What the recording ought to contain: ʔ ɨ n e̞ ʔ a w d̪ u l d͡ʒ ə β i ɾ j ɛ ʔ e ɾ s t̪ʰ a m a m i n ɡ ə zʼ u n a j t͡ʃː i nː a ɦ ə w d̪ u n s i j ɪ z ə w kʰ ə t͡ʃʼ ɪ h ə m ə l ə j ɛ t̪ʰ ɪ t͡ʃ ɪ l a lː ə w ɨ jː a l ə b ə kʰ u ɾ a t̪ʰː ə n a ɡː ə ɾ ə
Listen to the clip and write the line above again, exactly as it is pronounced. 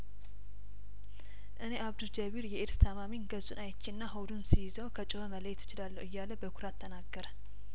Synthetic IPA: ʔ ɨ n e̞ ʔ a β d̪ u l d͡ʒ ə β i ɾ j ɛ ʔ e ɾ s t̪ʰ a m a m i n ɡ ə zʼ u n a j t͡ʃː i nː a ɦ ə w d̪ u n s i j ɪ z ə w kʰ ə t͡ʃʼ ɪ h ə m ə l ə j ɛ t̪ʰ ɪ t͡ʃ ɪ l a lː ə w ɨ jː a l ə b ə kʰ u ɾ a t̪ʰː ə n a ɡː ə ɾ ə